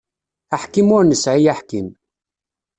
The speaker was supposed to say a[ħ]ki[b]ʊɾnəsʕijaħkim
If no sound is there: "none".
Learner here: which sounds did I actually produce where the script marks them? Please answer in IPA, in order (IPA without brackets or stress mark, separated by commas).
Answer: ħ, m